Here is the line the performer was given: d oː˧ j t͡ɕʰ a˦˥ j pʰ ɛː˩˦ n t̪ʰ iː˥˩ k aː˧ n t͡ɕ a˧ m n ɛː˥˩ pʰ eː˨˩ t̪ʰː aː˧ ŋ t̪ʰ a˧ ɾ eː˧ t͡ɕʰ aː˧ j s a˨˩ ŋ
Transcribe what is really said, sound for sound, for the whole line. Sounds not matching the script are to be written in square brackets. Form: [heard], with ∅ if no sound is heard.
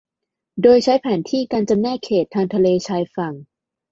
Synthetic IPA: d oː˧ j t͡ɕʰ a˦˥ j pʰ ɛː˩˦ n t̪ʰ iː˥˩ k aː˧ n t͡ɕ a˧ m n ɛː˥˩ [kʰ] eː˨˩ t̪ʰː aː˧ ŋ t̪ʰ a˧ [l] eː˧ t͡ɕʰ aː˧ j [f] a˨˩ ŋ